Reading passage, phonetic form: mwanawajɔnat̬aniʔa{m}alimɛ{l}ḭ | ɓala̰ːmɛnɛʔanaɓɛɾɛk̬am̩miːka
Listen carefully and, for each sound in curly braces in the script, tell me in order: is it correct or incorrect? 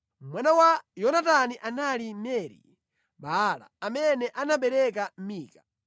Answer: incorrect, incorrect

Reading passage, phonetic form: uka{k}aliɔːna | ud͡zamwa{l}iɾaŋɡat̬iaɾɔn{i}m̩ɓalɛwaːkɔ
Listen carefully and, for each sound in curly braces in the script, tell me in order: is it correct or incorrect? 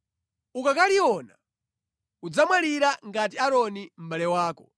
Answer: correct, correct, correct

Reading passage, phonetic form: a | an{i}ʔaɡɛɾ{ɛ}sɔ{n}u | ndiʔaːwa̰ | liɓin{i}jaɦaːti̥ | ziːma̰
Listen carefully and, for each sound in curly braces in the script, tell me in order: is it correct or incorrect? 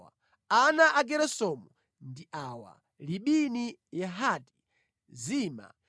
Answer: incorrect, correct, incorrect, correct

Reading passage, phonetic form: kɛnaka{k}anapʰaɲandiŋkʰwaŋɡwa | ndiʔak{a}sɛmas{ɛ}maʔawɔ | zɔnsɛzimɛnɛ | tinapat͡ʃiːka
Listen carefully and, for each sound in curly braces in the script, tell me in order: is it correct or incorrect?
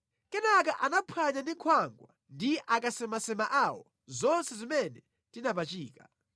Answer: incorrect, correct, correct

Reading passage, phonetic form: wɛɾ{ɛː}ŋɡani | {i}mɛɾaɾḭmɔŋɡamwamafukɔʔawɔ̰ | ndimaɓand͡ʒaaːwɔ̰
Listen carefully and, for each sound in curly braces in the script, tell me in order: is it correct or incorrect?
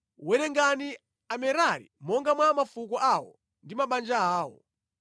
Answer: incorrect, incorrect

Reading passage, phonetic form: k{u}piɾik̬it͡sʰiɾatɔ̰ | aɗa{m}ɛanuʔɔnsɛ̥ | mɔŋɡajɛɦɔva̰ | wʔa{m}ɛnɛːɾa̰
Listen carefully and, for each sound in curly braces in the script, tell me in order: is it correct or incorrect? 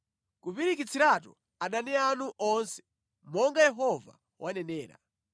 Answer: correct, incorrect, incorrect

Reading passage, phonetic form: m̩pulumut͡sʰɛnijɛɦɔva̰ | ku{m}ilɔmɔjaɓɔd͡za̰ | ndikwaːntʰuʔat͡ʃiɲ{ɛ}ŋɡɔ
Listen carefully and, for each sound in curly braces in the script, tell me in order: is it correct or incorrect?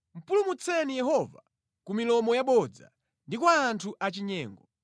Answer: correct, incorrect

